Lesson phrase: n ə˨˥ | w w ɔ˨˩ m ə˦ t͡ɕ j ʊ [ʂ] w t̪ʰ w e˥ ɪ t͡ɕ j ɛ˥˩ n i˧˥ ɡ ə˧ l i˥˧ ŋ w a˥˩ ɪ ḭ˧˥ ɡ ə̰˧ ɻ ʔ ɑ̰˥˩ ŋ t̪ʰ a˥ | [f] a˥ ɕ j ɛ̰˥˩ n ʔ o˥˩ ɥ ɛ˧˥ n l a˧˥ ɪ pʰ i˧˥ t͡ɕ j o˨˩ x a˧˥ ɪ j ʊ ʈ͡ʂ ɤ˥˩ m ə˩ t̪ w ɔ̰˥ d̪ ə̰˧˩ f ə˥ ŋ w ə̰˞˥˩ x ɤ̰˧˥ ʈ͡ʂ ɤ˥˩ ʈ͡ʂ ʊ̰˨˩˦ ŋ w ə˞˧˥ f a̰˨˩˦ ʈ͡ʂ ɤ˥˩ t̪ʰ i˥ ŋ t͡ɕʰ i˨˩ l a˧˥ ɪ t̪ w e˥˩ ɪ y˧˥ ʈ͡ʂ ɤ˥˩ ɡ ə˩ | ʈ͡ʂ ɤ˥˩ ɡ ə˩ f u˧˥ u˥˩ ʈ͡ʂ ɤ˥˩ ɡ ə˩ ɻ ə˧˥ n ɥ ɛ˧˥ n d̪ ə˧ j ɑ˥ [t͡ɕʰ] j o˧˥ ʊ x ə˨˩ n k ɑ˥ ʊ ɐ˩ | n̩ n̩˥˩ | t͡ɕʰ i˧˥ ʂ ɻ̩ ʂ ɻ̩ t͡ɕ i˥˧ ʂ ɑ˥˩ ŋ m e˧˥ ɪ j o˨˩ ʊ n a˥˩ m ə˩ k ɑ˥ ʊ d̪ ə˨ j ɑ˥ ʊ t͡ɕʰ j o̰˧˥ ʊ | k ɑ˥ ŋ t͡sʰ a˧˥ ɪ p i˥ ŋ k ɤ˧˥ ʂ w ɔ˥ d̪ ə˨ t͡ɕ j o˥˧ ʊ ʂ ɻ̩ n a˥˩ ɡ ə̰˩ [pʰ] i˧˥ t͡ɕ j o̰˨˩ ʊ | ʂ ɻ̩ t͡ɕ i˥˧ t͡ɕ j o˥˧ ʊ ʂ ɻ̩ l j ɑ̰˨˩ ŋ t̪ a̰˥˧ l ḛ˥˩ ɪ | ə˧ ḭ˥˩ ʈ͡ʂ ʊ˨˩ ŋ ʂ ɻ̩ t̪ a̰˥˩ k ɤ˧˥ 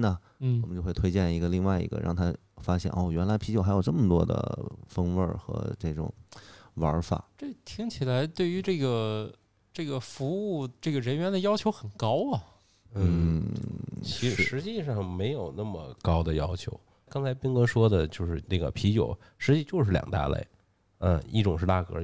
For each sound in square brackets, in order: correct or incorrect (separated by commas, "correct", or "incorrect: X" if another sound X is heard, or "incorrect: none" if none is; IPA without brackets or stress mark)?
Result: incorrect: x, correct, correct, correct